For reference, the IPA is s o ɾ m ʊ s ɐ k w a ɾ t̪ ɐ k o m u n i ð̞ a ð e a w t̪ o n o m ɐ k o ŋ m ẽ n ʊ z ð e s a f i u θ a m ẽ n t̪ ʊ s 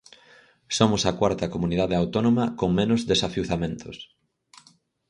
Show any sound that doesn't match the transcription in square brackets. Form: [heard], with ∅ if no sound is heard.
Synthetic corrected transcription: s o [∅] m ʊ s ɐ k w a ɾ t̪ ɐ k o m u n i ð̞ a ð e a w t̪ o n o m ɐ k o ŋ m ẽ n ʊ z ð e s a f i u θ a m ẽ n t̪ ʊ s